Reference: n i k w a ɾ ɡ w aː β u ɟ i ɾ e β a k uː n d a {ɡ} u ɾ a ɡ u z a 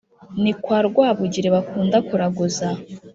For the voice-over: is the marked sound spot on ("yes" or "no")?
no